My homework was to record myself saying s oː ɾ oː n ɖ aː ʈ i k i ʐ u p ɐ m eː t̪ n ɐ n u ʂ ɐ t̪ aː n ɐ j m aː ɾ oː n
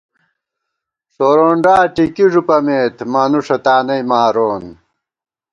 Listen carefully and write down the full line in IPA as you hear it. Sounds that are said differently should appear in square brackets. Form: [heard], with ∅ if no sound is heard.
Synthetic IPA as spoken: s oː ɾ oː [ɳ] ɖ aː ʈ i k i ʐ u p ɐ m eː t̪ [m] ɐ n u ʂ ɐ t̪ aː n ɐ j m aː ɾ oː n